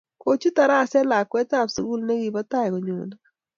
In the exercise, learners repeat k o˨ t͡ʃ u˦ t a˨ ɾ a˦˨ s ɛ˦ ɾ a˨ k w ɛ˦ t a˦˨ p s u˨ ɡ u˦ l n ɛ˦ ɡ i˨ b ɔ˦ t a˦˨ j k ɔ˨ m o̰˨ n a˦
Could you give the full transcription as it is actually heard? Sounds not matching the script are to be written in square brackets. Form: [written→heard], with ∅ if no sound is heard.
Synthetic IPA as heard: k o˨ t͡ʃ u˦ t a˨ ɾ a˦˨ s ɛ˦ [ɾ→l] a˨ k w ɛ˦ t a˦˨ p s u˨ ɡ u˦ l n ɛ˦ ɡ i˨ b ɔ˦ t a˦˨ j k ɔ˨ [m→ɲ] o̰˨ n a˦